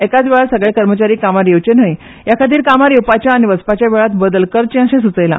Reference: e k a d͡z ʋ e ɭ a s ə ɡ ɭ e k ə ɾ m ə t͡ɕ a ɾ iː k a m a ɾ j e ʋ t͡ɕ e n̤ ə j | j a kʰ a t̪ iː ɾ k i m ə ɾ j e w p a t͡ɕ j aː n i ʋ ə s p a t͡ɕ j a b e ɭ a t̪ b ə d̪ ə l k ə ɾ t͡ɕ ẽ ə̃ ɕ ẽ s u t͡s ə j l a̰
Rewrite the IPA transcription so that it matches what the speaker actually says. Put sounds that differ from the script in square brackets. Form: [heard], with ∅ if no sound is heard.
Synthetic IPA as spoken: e k a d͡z ʋ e ɭ a s ə ɡ ɭ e k ə ɾ m ə t͡ɕ a ɾ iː k a m a ɾ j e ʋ t͡ɕ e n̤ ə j | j a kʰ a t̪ iː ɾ k [a] m [a] ɾ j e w p a t͡ɕ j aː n i ʋ ə s p a t͡ɕ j a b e ɭ a t̪ b ə d̪ ə l k ə ɾ t͡ɕ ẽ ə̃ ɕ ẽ s u t͡s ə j l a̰